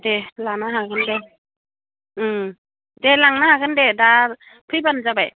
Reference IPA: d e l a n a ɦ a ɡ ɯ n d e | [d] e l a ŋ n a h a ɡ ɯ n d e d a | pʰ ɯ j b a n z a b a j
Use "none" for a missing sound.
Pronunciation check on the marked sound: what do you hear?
d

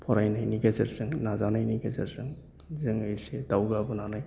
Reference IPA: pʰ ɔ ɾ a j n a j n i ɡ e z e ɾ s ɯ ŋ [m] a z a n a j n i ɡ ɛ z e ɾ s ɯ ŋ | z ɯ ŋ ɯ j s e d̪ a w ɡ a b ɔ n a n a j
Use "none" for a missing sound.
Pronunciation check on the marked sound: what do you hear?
n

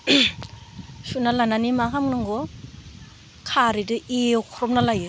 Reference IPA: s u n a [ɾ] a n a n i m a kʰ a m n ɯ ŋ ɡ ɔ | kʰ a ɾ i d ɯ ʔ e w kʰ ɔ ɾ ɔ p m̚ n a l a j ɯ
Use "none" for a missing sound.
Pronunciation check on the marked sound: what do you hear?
l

